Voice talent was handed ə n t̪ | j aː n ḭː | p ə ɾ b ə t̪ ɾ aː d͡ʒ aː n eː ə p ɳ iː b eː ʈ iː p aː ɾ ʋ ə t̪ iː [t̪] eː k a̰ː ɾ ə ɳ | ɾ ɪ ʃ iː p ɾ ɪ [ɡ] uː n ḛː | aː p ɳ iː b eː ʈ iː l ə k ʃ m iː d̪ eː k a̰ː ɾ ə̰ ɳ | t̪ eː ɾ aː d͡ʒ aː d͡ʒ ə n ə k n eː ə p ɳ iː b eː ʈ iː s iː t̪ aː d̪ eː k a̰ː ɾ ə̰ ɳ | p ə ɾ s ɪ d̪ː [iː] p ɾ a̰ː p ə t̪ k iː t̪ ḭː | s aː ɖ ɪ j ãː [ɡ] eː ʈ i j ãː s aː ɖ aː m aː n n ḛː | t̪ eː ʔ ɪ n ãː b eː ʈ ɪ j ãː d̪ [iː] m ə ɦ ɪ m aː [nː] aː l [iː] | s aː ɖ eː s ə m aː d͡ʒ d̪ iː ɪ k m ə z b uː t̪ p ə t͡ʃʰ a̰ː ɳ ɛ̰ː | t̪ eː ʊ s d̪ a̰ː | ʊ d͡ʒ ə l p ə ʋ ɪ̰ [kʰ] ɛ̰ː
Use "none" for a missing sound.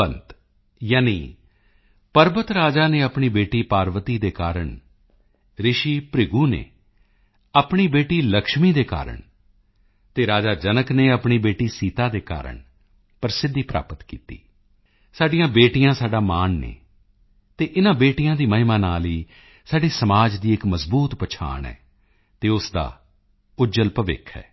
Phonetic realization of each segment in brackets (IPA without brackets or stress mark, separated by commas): d̪, ɡ, iː, b, iː, n, iː, kʰ